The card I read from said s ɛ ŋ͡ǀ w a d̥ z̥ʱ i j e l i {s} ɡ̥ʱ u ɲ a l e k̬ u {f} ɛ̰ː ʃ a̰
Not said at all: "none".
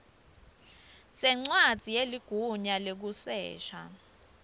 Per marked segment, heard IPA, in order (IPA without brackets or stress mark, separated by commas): none, s